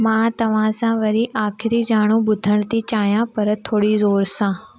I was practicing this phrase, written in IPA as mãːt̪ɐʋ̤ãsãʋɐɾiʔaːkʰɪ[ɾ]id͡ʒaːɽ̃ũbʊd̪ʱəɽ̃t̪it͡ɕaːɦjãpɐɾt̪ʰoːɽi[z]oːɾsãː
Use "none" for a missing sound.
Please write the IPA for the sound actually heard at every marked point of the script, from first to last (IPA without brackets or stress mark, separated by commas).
ɾ, z